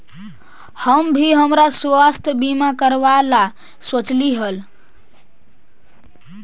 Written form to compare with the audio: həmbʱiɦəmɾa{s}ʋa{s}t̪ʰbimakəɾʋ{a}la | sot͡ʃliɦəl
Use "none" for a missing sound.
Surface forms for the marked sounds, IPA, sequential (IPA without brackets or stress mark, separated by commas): s, s, a